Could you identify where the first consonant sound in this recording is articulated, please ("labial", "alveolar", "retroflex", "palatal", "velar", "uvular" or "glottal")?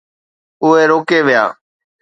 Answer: glottal